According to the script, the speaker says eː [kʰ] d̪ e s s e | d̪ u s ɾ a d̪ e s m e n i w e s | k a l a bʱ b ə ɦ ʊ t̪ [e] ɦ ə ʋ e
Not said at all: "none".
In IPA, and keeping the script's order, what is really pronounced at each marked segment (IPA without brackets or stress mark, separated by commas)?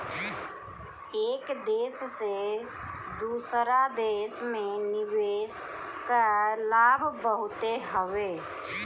k, e